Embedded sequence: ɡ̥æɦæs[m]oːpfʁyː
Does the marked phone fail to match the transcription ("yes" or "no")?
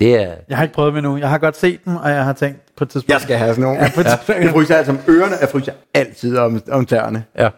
yes